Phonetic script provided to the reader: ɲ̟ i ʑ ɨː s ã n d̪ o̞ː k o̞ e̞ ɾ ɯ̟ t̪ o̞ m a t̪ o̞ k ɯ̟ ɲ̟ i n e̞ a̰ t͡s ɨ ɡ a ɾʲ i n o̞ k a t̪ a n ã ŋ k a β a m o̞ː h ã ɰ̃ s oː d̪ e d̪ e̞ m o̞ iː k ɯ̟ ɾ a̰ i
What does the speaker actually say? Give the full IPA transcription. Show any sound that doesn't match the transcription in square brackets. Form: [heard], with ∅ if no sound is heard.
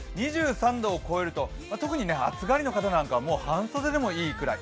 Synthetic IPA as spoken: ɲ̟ i ʑ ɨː s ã n d̪ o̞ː k o̞ e̞ ɾ ɯ̟ t̪ o̞ m a t̪ o̞ k ɯ̟ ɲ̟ i n e̞ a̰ t͡s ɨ ɡ a ɾʲ i n o̞ k a t̪ a n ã ŋ k a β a m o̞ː h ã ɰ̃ s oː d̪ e d̪ e̞ m o̞ iː k ɯ̟ ɾ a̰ i